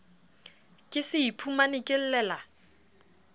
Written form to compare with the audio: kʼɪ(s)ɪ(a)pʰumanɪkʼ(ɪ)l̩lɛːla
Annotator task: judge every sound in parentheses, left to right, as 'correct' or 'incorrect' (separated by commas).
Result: correct, incorrect, correct